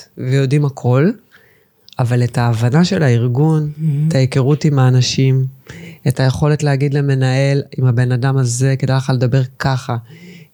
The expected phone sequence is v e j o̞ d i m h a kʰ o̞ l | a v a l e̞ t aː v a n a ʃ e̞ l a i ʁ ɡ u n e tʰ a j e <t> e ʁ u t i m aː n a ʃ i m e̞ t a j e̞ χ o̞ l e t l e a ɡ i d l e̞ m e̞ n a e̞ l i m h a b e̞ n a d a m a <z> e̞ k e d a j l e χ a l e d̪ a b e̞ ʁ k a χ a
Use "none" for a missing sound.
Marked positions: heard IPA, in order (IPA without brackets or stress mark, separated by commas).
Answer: k, z